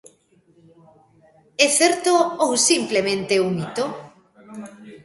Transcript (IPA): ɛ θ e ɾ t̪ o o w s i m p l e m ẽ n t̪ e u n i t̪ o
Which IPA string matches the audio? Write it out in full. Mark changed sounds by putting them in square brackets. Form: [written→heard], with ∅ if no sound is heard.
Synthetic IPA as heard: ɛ θ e ɾ t̪ o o w s i m p l e m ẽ n t̪ e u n i t̪ o